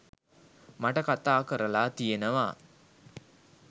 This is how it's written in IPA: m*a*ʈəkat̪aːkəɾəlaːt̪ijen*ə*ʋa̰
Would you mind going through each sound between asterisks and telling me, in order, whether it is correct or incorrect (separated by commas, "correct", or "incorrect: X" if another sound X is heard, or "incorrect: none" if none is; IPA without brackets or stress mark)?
correct, correct